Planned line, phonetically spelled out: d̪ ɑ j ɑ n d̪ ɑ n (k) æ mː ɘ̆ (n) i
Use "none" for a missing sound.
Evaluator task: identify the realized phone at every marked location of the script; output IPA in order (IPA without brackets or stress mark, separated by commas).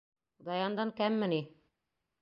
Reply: k, n